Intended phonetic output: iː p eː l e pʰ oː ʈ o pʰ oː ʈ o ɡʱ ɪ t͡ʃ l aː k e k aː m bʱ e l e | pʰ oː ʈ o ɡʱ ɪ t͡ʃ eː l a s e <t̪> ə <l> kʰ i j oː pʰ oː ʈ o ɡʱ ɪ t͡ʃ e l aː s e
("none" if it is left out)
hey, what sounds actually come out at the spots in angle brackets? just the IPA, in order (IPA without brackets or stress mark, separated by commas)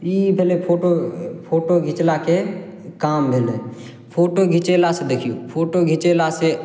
d̪, none